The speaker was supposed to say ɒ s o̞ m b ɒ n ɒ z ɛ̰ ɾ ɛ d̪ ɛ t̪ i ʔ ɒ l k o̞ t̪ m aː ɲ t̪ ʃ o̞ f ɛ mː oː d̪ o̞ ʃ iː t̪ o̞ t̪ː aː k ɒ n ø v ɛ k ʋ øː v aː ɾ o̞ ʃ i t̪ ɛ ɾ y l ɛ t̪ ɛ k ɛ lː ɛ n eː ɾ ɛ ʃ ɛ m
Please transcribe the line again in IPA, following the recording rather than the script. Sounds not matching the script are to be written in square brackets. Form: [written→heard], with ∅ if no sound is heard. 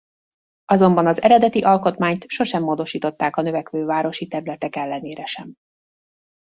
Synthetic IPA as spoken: ɒ [s→z] o̞ m b ɒ n ɒ z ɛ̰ ɾ ɛ d̪ ɛ t̪ i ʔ ɒ l k o̞ t̪ m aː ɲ t̪ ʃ o̞ [f→ʃ] ɛ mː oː d̪ o̞ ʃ iː t̪ o̞ t̪ː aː k ɒ n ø v ɛ k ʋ øː v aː ɾ o̞ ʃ i t̪ ɛ ɾ y l ɛ t̪ ɛ k ɛ lː ɛ n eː ɾ ɛ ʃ ɛ m